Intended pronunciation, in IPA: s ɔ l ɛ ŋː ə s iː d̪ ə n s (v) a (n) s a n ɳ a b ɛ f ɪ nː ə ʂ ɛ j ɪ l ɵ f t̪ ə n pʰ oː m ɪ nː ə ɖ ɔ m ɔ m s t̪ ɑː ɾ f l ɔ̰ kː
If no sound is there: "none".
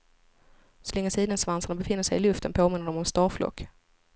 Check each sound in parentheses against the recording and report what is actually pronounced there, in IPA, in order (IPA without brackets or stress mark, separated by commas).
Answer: v, n